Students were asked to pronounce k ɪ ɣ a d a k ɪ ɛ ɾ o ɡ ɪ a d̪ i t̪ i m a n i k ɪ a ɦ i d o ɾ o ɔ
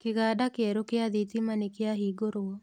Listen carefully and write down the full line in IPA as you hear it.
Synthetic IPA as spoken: k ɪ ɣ a d a k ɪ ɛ ɾ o k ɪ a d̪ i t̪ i m a n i k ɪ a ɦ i ɡ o ɾ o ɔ

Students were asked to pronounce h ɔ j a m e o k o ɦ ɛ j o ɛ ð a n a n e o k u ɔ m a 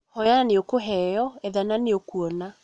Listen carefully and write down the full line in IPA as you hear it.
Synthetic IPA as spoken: h ɔ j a n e o k o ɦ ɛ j ɔ ɛ ð a n a n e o k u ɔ n a

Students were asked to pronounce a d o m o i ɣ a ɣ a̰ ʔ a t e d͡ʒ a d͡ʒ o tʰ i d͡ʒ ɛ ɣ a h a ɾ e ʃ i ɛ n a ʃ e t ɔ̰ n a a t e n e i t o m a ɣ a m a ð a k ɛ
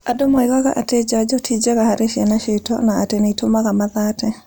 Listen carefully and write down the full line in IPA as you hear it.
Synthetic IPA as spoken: a d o m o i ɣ a ɣ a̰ ʔ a t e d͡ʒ a d͡ʒ ɔ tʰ i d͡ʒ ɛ ɣ a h a ɾ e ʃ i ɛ n a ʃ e t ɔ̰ n a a t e n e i t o m a ɣ a m a ð a t ɛ

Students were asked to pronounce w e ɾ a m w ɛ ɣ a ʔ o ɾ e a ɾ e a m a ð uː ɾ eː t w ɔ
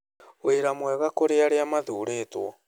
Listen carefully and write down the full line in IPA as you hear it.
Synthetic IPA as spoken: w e ɾ a m w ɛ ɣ a k o ɾ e a ɾ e a m a ð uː ɾ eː t w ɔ

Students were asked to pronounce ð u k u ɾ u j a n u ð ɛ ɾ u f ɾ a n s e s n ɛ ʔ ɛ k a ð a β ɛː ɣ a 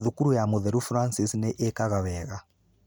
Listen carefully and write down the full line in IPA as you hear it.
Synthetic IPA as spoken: ð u k u ɾ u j a m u ð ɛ ɾ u f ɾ a n s i s n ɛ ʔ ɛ k a ɣ a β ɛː ɣ a

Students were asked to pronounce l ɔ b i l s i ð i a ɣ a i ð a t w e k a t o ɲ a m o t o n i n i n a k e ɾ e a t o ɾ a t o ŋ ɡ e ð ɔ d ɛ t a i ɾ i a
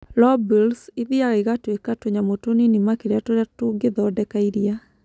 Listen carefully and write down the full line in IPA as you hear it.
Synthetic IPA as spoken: l ɔ b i l s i ð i a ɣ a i ɣ a t w e k a t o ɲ a m o t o n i n i m a k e ɾ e a t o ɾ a t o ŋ ɡ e ð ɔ d ɛ k a i ɾ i a

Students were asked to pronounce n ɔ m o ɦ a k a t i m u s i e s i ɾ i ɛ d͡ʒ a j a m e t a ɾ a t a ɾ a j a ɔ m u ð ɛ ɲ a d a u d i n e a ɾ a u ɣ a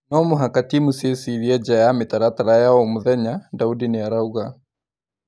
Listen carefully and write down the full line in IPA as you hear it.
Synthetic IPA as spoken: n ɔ m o ɦ a k a t i m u s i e s i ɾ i ɛ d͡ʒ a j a m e t a ɾ a t a ɾ a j a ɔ m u ð ɛ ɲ a d a u d i n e a ɾ a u ɣ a

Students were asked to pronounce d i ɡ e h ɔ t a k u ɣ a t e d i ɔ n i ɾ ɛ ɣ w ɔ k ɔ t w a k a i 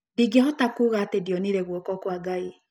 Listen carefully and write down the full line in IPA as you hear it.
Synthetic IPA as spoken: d i ɡ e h ɔ t a k u ɣ a t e d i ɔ n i ɾ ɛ ɣ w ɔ k ɔ k w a ɡ a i

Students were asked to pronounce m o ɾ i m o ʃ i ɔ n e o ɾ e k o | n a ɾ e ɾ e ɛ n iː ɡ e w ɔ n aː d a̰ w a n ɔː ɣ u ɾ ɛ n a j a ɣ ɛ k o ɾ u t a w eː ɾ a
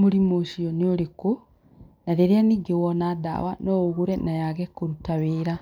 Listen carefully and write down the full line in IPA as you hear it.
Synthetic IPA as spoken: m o ɾ i m o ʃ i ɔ n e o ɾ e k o | n a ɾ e ɾ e a n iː ɡ e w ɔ n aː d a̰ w a n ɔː ɣ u ɾ ɛ n a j a ɣ ɛ k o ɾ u t a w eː ɾ a

